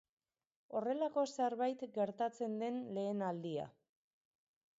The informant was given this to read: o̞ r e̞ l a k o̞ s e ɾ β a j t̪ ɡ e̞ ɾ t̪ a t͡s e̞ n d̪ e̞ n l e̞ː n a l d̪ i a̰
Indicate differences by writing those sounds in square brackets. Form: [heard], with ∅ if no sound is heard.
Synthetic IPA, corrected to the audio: o̞ r e̞ l a k o̞ s e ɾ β a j t̪ ɡ e̞ ɾ t̪ a t͡s e̞ n d̪ e̞ n l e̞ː n a l d̪ i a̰